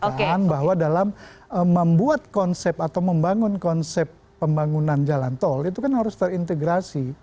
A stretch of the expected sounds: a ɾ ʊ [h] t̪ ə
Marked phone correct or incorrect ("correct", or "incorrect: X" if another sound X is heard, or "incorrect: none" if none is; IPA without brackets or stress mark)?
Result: incorrect: s